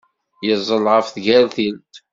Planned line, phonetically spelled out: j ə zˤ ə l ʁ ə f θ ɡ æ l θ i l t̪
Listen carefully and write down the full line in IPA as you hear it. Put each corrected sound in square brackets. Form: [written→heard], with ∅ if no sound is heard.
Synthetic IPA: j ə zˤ ə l ʁ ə f θ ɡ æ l θ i l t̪